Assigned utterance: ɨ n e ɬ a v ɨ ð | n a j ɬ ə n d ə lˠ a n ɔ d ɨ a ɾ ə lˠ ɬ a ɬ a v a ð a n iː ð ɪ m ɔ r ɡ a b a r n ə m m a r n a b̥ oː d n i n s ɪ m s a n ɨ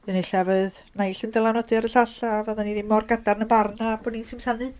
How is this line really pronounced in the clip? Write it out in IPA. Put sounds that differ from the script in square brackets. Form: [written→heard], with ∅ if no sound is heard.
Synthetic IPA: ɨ n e ɬ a v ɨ ð | n a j ɬ ə n d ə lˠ a n ɔ d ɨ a ɾ ə [lˠ→∅] ɬ a ɬ a v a ð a n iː ð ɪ m ɔ r ɡ a [b→d] a r n ə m [m→b] a r n a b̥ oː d n i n s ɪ m s a n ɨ